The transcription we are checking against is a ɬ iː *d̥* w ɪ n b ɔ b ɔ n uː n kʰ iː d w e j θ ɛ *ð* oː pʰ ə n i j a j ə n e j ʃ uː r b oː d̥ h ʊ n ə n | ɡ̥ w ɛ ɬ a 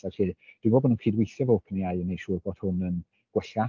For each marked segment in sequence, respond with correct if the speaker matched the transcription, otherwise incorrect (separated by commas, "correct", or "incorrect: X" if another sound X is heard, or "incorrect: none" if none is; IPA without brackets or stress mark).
correct, incorrect: v